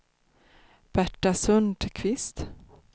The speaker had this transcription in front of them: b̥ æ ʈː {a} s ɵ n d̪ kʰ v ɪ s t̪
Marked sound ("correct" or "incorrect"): correct